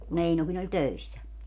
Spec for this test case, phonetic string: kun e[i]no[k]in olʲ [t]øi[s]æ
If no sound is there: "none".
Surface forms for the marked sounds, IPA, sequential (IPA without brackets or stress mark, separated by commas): i, k, t, sː